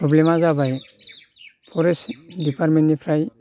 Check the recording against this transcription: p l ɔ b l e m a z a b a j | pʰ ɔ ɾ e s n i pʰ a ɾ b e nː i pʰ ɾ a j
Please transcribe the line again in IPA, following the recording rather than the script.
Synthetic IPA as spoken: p ɾ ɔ b l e m a z a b a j | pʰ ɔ ɾ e s d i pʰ a ɾ m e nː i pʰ ɾ a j